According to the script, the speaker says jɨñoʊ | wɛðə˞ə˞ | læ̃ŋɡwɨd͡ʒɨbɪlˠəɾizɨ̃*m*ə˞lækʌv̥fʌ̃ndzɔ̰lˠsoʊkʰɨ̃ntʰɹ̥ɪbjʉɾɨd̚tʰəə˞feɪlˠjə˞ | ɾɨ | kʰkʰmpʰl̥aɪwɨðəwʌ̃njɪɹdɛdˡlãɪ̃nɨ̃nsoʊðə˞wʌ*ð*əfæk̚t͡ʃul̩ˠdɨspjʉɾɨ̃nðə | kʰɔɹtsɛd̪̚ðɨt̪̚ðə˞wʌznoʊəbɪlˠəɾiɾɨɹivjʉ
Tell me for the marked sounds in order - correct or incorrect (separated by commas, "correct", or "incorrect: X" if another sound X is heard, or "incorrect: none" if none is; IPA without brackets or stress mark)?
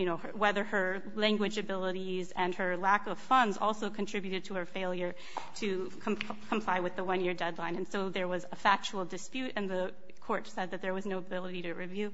incorrect: n, incorrect: z